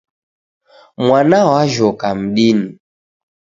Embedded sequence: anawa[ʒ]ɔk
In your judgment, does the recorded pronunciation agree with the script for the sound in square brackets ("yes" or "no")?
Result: yes